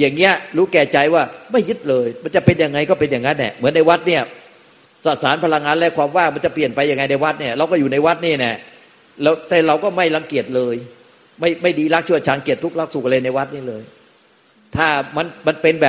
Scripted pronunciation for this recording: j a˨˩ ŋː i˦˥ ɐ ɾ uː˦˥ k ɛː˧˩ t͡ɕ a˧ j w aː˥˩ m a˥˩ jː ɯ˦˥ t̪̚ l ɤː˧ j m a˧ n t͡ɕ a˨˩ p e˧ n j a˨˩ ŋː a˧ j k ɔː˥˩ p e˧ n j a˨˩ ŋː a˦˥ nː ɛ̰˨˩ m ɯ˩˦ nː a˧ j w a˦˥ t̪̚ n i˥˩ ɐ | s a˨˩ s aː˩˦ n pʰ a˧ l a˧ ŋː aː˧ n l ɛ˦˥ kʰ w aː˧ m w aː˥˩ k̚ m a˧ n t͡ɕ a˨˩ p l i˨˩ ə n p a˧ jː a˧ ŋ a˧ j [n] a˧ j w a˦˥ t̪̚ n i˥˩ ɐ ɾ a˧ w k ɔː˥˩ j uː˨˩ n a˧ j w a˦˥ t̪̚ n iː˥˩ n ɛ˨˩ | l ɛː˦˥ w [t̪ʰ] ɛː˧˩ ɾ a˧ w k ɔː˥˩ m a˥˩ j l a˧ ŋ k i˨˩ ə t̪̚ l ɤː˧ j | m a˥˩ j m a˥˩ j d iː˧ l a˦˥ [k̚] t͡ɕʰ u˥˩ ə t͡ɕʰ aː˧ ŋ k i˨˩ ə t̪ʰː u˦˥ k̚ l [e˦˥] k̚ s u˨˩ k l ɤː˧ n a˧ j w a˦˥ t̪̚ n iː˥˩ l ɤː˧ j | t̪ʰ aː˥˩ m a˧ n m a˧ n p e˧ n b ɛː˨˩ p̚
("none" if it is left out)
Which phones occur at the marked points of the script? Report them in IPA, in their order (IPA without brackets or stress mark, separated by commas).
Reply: n, t̪, k̚, a˦˥